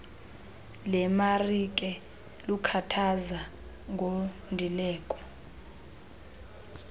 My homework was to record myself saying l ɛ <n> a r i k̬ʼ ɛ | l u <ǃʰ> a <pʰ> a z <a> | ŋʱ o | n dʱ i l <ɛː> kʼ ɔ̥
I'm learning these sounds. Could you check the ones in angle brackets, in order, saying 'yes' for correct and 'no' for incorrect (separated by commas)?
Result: no, no, no, yes, yes